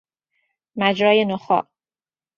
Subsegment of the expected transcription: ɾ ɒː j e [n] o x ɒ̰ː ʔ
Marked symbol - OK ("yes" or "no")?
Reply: yes